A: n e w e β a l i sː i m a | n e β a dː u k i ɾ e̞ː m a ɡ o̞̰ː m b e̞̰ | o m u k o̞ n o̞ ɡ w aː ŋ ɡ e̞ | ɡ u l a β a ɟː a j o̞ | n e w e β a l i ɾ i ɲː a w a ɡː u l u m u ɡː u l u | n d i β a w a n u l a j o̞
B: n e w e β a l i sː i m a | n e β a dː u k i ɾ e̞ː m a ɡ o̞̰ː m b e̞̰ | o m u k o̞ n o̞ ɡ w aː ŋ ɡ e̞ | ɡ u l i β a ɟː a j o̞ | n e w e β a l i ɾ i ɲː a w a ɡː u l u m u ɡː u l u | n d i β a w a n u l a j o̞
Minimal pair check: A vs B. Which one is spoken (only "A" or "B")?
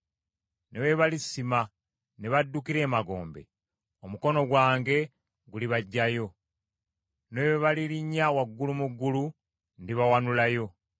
B